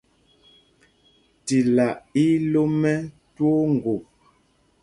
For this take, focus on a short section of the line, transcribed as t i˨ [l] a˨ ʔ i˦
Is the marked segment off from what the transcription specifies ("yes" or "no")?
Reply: no